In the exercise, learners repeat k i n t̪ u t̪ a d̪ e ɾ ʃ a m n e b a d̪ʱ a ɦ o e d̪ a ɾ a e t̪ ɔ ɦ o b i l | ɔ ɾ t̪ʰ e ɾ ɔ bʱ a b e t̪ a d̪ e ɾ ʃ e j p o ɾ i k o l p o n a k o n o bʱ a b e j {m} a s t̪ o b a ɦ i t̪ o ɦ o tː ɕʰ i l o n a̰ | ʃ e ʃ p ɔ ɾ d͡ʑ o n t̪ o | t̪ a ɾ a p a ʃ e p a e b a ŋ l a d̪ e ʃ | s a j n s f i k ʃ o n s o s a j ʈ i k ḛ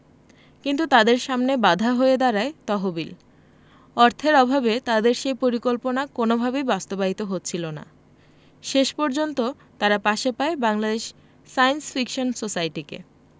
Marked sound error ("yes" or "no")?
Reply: yes